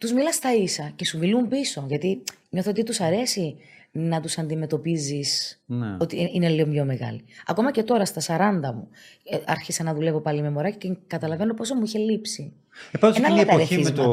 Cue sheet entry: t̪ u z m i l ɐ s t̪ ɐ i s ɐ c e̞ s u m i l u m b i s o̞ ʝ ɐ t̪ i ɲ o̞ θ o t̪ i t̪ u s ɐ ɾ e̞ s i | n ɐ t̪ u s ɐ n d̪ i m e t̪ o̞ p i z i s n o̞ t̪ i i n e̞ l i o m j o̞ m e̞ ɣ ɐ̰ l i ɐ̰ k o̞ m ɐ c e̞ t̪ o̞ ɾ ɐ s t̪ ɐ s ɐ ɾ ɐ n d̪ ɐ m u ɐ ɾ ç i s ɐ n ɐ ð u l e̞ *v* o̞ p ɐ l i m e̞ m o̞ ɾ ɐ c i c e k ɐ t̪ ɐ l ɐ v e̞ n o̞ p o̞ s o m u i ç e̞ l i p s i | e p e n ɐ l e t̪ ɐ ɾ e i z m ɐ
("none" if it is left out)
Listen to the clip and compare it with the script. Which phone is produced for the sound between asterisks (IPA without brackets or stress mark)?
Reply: v